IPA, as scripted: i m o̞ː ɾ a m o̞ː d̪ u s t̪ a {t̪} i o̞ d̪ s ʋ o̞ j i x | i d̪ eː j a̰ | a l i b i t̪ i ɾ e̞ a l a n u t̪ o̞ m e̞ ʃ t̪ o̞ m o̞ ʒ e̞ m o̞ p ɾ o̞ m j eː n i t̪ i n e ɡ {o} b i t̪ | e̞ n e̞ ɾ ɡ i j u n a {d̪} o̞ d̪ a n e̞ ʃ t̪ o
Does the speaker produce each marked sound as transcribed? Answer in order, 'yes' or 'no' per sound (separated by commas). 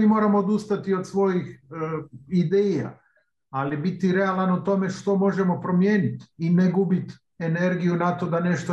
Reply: yes, no, no